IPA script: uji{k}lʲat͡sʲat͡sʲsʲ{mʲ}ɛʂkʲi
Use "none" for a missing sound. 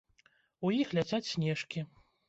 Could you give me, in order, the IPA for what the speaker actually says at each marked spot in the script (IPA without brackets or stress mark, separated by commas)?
x, nʲ